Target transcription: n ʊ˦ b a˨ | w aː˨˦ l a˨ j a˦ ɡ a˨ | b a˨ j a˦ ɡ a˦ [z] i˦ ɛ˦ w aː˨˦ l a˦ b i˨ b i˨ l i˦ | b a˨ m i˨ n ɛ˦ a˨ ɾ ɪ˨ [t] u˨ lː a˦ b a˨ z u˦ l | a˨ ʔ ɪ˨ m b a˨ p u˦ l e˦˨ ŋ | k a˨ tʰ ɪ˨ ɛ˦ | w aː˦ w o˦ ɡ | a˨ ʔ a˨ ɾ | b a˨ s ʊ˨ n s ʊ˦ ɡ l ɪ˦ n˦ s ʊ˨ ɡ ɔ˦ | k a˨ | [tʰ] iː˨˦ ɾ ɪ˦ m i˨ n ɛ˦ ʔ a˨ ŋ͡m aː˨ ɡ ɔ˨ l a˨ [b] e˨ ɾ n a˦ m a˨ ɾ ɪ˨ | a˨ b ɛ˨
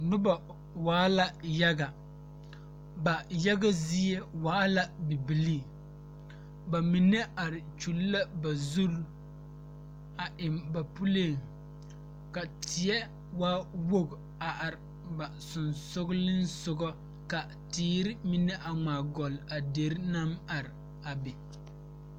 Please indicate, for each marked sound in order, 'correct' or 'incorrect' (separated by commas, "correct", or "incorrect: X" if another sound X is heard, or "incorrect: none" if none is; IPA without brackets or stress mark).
correct, incorrect: t͡ʃ, incorrect: t, incorrect: d